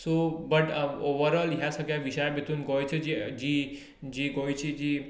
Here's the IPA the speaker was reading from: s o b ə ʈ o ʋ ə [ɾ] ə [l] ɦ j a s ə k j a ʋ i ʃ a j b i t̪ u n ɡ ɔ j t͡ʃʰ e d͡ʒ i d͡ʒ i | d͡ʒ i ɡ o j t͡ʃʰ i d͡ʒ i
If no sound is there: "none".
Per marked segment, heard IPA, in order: ɾ, l

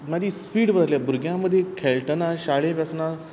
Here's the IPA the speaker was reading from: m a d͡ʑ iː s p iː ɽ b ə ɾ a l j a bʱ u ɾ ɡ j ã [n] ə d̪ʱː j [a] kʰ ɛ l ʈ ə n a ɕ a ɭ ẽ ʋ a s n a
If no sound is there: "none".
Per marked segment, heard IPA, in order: m, e

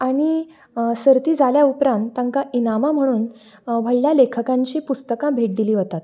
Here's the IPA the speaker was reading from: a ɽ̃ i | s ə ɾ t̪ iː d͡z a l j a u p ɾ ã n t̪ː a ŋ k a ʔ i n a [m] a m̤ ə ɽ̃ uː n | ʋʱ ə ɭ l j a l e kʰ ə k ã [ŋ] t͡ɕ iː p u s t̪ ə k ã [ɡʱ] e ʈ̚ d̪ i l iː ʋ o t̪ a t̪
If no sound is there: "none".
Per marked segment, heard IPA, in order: m, ɲ, bʱ

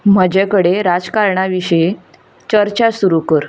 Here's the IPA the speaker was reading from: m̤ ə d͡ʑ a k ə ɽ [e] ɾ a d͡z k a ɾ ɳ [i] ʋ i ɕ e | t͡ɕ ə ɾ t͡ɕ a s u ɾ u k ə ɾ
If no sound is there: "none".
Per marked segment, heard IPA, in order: e, a

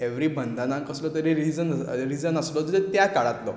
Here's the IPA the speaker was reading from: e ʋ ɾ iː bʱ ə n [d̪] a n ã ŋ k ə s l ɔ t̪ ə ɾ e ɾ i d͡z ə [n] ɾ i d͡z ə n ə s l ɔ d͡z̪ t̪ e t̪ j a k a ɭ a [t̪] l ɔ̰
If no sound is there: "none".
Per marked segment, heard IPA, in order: d̪, n, t̪

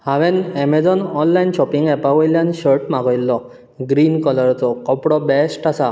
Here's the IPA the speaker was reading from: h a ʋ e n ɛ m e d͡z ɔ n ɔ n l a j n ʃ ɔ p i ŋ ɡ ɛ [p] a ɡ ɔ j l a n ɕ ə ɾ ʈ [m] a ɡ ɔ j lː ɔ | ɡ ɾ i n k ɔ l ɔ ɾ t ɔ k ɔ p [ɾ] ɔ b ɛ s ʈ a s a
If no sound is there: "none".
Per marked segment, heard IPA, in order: p, m, ɽ

